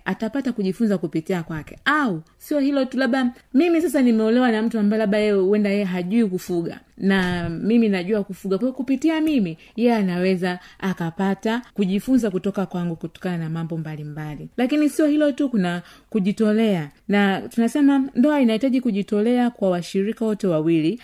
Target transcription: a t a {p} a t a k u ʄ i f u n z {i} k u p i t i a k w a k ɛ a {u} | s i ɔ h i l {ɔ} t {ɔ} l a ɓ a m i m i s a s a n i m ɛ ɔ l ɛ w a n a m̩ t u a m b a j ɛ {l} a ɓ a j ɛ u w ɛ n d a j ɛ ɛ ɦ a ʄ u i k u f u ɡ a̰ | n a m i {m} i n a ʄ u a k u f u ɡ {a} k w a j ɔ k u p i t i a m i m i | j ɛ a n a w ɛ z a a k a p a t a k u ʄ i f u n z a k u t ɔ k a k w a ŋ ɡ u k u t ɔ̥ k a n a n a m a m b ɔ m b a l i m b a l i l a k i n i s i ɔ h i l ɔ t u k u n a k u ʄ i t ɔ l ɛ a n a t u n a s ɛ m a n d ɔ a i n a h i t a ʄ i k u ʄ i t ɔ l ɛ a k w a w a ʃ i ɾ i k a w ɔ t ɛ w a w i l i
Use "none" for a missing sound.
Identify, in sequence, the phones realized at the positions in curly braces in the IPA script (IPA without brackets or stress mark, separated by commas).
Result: p, a, u, ɔ, u, l, m, a